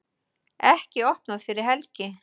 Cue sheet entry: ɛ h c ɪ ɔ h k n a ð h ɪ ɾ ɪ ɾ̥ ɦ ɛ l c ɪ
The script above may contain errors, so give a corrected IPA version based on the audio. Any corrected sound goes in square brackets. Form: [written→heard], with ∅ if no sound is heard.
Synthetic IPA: ɛ h c ɪ ɔ h [k→p] n a ð [h→f] ɪ ɾ ɪ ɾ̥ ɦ ɛ l c ɪ

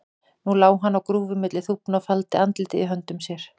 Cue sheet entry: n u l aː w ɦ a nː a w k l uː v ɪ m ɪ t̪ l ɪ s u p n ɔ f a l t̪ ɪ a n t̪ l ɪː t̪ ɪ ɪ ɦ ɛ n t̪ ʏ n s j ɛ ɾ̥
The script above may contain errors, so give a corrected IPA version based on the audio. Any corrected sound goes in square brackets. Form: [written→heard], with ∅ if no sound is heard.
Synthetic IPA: n u l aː w ɦ a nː a w k [l→ɾ] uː v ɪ m ɪ t̪ l ɪ [s→θ] u p n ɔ f a l t̪ ɪ a n t̪ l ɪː t̪ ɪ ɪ ɦ [ɛ→œ] n t̪ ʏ [n→m] s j ɛ ɾ̥

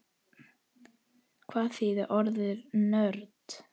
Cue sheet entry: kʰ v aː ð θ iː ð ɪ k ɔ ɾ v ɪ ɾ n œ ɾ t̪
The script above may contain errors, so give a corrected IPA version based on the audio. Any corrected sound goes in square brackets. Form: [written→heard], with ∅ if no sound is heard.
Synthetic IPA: kʰ v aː ð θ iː ð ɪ [k→ʔ] ɔ ɾ [v→ð] ɪ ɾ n œ ɾ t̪

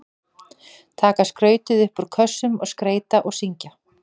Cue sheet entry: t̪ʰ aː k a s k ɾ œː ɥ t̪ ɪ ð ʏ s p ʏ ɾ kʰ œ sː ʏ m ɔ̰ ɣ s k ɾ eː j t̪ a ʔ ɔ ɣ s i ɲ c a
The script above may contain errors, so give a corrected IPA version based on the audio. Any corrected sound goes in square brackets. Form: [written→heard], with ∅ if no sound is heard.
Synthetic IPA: t̪ʰ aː k a s k ɾ œː ɥ t̪ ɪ ð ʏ [s→h] p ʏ ɾ kʰ œ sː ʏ m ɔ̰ ɣ s k ɾ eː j t̪ a ʔ ɔ ɣ s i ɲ c a

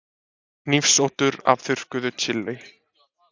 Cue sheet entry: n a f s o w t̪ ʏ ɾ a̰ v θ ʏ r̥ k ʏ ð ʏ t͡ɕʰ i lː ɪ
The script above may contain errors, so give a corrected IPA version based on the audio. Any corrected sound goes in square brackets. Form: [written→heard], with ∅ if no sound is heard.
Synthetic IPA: n [a→i] f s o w t̪ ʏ ɾ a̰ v θ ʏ r̥ k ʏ ð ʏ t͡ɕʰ [i→ɪ] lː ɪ

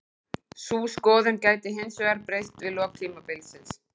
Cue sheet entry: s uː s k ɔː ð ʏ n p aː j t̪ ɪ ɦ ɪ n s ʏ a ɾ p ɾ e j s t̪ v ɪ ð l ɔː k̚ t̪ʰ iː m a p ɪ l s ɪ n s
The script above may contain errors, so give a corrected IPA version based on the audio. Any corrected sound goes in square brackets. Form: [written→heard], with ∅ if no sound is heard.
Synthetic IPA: s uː s k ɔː ð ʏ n [p→c] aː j t̪ ɪ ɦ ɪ n s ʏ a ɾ p ɾ e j s t̪ v ɪ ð l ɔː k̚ t̪ʰ iː m a p ɪ l s ɪ n s

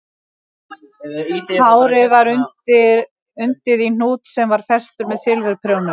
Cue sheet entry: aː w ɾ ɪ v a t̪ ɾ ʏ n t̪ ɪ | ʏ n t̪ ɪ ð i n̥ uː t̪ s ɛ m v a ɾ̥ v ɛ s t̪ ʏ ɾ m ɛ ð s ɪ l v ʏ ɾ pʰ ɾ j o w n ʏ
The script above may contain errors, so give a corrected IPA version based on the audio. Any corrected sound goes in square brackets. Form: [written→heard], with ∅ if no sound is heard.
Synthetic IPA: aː w ɾ ɪ v a [t̪→∅] ɾ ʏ n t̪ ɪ | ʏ n t̪ ɪ ð i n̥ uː t̪ s ɛ m v a ɾ̥ [v→f] ɛ s t̪ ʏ ɾ m ɛ ð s ɪ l v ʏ ɾ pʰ ɾ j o w n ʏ

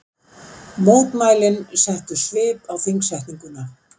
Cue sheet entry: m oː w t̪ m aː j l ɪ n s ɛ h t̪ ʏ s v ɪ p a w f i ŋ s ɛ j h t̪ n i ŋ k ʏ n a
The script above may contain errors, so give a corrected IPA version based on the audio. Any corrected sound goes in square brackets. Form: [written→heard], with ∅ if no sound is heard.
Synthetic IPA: m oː w t̪ m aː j l ɪ n s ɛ h t̪ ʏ s v [ɪ→ɪː] p a w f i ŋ s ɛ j h t̪ n i ŋ k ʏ n a

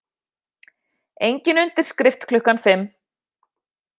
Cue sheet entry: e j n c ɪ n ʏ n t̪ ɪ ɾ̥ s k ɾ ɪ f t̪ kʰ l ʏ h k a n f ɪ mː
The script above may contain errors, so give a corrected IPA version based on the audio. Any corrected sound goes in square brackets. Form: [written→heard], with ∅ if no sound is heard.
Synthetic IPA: e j [n→ɲ] c ɪ n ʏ n t̪ ɪ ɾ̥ s k ɾ ɪ f t̪ kʰ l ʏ h k a n f ɪ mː

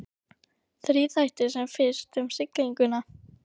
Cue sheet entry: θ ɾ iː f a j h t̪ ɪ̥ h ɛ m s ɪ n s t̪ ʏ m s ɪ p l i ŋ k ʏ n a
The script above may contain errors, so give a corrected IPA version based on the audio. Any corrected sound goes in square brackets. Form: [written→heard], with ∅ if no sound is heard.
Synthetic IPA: θ ɾ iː [f→θ] a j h t̪ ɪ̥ [h→s] ɛ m [s→f] ɪ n s t̪ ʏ m s ɪ [p→k] l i ŋ k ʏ n a

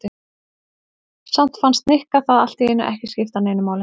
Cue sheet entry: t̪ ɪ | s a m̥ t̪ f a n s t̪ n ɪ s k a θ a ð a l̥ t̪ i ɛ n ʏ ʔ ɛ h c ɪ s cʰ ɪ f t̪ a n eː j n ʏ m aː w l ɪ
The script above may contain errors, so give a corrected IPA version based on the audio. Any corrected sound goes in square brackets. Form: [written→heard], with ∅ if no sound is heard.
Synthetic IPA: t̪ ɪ | s a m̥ t̪ f a n s t̪ n ɪ [s→h] k a θ a ð a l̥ t̪ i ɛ n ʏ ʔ ɛ h c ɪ s [cʰ→c] ɪ f t̪ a n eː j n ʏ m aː w l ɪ

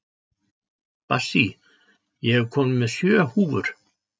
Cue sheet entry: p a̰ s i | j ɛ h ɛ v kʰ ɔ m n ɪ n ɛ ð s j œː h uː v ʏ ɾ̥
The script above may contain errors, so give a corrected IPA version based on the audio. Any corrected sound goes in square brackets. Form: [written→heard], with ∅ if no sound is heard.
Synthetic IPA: p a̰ s i | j ɛ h ɛ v kʰ [ɔ→ɔː] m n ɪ [n→m] ɛ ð s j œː h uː v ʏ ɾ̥

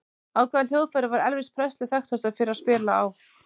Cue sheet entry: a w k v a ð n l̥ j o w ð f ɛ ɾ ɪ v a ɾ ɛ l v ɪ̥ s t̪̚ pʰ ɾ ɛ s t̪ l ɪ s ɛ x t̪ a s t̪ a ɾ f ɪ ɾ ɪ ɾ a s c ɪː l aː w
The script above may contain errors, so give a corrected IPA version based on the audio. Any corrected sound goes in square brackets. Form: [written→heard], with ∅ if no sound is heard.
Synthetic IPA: a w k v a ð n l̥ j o w ð f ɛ ɾ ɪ v a ɾ ɛ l v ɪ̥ s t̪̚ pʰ ɾ ɛ s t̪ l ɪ [s→θ] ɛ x t̪ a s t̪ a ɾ f ɪ ɾ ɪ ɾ a s [c→p] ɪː l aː w

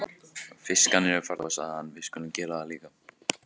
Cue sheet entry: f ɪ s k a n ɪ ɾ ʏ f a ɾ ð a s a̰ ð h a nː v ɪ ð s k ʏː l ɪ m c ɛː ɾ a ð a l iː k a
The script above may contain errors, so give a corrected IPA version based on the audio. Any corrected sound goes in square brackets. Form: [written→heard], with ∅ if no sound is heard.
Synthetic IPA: f ɪ s k a n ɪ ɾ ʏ f a ɾ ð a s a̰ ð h a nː v ɪ ð s k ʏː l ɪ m c ɛː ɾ a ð a l iː k a

